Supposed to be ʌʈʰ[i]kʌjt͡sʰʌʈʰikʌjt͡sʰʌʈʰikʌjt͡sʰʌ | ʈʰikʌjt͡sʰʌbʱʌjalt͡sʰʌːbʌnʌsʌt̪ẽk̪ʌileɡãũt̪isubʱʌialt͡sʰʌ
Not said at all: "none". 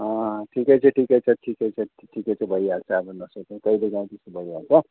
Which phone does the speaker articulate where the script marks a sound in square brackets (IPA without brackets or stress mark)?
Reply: i